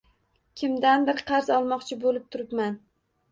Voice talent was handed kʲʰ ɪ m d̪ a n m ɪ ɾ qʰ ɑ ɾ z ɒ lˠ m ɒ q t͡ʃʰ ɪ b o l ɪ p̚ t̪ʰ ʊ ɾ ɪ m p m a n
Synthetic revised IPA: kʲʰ ɪ m d̪ a n b ɪ ɾ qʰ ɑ ɾ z ɒ lˠ m ɒ q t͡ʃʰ ɪ b o l ɪ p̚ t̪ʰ ʊ ɾ ɪ p m a n